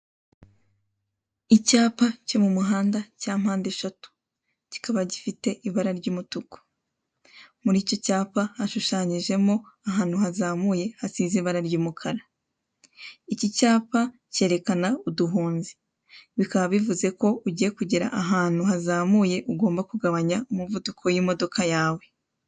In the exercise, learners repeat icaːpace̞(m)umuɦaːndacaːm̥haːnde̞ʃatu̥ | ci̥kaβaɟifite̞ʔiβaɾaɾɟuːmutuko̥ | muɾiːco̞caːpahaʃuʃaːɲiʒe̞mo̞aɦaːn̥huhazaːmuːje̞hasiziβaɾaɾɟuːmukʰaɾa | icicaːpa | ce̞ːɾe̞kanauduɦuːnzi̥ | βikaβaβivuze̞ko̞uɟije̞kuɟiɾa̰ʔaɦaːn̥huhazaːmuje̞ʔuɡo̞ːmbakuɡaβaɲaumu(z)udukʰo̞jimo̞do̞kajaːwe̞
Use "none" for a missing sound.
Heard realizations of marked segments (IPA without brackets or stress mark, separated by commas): m, v